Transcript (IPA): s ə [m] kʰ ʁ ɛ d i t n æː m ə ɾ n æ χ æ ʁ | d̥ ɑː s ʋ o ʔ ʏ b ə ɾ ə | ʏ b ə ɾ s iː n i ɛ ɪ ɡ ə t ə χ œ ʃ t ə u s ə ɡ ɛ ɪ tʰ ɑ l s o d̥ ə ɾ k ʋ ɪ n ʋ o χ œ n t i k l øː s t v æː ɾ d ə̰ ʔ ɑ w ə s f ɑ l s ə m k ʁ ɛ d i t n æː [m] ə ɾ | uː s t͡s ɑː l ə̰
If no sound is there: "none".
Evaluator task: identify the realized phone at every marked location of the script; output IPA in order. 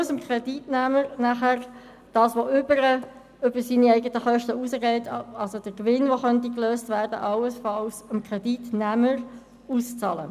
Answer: m, m

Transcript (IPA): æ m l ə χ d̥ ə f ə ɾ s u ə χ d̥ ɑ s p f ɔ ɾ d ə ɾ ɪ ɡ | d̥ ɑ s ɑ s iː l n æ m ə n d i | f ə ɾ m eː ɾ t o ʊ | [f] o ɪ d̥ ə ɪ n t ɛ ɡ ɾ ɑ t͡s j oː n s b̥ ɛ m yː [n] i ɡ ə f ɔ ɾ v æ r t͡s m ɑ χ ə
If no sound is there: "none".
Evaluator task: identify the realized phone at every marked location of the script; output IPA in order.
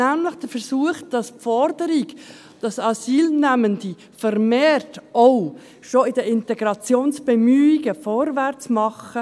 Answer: ʃ, none

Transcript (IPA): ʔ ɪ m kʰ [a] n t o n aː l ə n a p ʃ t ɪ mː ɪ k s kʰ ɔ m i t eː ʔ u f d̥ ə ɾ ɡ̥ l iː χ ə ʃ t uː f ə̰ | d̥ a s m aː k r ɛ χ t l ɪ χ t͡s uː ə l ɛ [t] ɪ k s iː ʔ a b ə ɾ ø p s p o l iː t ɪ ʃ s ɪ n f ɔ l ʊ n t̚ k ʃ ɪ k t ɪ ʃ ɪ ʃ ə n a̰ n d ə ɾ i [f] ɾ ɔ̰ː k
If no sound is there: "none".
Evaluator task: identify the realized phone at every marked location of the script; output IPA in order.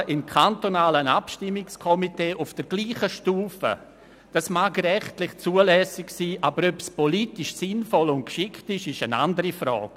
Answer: a, s, f

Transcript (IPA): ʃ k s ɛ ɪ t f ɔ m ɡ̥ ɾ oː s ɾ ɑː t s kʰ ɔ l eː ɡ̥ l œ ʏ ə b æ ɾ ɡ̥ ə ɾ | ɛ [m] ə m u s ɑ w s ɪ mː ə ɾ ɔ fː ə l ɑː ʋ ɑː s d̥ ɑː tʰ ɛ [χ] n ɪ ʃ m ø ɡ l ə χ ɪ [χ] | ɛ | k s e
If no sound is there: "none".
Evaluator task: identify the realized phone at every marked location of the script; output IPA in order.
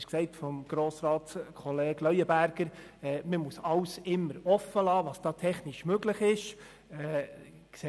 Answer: m, χ, ʃ

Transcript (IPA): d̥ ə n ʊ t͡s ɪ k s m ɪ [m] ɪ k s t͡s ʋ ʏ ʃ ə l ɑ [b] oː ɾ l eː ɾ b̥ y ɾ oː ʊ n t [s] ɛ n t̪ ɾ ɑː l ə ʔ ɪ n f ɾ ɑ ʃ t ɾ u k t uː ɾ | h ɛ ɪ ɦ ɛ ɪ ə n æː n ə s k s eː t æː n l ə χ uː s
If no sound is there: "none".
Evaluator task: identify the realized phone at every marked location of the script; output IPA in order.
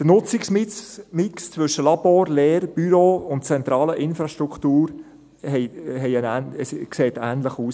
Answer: m, b, t͡s

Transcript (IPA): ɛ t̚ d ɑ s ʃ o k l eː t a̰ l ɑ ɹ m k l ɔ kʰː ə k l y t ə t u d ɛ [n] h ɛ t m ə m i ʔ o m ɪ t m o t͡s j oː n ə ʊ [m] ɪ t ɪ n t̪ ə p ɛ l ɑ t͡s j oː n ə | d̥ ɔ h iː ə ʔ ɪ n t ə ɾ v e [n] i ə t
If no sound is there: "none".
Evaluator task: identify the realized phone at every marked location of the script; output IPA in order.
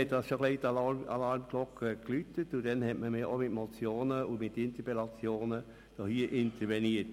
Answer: n, m, n

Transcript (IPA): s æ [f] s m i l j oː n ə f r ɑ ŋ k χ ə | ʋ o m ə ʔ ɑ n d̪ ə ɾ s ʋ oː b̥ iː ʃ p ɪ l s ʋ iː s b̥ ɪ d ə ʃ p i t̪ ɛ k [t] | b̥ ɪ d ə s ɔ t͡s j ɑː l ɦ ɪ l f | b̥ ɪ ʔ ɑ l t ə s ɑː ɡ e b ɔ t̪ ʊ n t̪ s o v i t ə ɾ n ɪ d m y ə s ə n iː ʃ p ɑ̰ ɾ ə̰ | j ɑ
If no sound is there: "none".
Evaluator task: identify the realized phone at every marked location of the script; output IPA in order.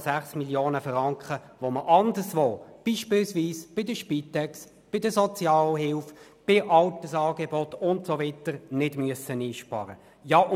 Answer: χ, s

